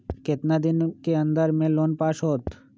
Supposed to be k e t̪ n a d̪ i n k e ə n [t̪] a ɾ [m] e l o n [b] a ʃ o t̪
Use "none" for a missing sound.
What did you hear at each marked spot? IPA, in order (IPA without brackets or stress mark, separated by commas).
d̪, m, p